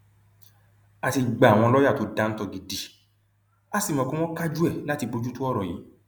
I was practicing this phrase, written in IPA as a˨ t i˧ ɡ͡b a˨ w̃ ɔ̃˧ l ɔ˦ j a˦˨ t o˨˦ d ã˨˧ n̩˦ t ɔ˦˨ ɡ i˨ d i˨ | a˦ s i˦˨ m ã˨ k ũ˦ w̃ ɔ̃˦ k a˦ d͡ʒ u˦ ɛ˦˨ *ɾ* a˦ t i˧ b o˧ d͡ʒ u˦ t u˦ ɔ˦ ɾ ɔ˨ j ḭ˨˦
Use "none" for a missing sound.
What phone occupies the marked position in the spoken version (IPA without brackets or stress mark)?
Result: l